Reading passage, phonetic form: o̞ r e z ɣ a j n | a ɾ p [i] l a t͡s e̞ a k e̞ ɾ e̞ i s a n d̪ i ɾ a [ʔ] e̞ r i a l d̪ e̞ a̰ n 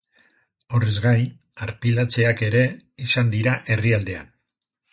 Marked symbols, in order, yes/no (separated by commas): yes, yes